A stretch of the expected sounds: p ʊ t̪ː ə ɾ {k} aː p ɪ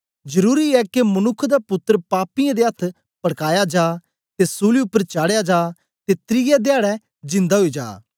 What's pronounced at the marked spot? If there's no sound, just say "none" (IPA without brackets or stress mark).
p